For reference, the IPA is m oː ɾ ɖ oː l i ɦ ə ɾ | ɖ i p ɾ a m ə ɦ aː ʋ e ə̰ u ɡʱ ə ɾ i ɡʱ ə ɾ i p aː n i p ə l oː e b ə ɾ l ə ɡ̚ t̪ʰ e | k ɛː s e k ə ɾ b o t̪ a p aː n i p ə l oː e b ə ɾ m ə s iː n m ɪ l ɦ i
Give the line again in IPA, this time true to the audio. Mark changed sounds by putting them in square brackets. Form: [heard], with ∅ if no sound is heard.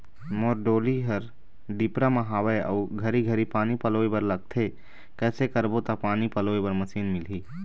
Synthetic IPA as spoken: m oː ɾ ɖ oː l i ɦ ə ɾ | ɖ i p ɾ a m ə ɦ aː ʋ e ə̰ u ɡʱ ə ɾ i ɡʱ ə ɾ i p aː n i p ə l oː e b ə ɾ l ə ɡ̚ t̪ʰ e | k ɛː s e k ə ɾ b o t̪ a p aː n i p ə l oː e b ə ɾ m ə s iː n m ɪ l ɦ i